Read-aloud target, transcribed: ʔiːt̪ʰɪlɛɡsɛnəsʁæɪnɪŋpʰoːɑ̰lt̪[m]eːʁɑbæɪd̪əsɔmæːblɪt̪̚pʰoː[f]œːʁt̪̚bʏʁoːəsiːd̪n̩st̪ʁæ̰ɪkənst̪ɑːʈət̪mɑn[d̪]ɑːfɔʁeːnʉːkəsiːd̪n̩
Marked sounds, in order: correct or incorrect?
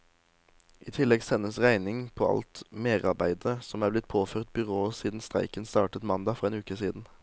correct, correct, correct

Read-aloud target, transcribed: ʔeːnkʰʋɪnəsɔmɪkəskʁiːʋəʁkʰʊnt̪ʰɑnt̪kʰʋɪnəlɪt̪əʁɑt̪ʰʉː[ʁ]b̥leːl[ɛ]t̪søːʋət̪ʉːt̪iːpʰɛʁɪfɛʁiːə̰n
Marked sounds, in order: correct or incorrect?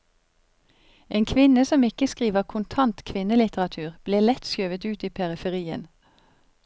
correct, correct

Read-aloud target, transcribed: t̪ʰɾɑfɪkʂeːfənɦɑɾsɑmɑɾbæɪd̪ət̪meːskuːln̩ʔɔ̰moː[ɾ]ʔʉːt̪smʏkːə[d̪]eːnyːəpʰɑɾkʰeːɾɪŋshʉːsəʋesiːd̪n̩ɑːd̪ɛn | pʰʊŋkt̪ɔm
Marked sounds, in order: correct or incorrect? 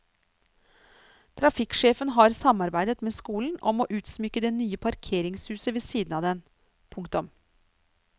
incorrect, correct

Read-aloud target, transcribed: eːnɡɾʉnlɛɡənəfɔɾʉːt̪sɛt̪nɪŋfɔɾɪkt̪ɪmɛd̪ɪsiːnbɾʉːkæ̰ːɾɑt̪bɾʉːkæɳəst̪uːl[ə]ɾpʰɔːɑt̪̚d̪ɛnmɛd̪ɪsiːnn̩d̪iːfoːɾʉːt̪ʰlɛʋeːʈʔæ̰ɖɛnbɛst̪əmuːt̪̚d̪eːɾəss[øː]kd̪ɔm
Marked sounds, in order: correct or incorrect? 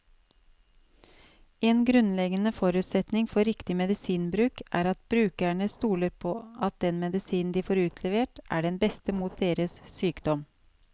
correct, incorrect

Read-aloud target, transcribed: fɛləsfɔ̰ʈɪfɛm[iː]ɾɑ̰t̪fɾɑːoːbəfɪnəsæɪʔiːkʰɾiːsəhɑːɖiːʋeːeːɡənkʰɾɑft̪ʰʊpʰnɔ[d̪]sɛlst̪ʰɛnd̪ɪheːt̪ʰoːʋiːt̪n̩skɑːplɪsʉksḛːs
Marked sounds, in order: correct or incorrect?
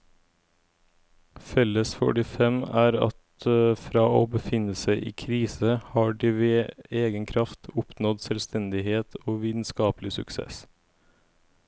incorrect, correct

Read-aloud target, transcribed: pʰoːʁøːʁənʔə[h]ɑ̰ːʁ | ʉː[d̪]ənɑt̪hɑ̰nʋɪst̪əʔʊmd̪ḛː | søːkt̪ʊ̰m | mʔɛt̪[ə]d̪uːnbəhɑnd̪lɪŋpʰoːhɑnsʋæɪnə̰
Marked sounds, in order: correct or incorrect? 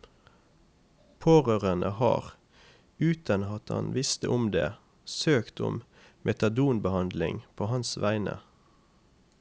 correct, incorrect, incorrect

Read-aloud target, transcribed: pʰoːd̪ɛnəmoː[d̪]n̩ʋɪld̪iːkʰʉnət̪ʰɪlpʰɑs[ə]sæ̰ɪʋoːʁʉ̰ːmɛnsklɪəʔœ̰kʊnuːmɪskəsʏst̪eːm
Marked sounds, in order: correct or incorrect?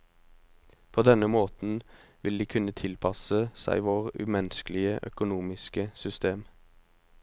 incorrect, correct

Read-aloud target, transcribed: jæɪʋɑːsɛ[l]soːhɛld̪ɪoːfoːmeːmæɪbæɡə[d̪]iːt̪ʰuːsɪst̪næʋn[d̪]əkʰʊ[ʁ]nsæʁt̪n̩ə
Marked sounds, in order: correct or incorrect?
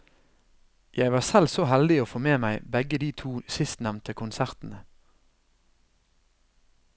correct, correct, incorrect, incorrect

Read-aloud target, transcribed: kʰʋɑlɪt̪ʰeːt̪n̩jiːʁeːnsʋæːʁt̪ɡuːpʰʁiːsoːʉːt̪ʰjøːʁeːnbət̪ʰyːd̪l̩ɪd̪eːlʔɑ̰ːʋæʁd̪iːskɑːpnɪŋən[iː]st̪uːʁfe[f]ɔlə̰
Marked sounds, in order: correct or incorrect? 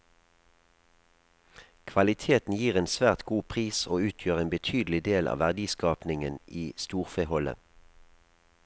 correct, incorrect

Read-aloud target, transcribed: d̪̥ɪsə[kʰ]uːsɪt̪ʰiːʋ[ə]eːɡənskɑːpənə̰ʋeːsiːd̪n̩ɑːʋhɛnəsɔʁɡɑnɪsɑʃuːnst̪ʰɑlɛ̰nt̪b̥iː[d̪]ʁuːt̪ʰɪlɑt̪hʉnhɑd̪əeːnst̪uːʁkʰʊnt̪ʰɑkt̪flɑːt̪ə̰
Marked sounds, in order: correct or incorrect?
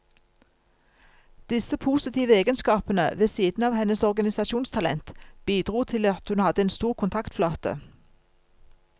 incorrect, correct, correct

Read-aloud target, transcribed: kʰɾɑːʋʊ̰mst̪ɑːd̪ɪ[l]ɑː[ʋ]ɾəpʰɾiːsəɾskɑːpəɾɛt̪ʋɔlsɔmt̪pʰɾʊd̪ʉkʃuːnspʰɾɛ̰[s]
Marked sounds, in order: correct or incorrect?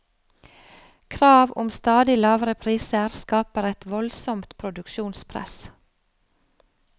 correct, correct, correct

